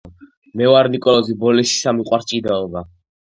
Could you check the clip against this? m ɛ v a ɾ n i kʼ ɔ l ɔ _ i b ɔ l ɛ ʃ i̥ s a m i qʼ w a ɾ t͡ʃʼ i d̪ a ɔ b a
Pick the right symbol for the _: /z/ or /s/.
z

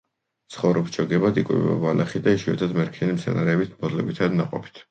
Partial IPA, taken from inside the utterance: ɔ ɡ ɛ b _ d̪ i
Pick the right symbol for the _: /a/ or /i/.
a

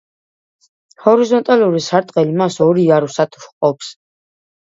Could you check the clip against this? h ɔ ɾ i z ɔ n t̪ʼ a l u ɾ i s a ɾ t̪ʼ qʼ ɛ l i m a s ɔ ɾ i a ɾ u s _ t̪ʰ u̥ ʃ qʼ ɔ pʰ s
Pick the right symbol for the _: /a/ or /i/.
a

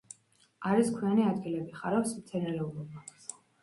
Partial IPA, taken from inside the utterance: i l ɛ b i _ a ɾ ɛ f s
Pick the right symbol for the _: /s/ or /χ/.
χ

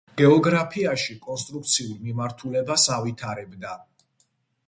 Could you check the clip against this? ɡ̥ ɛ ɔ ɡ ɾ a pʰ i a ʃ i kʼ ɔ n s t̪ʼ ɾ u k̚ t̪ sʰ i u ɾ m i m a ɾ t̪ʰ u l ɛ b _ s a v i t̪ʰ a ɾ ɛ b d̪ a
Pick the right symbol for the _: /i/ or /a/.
a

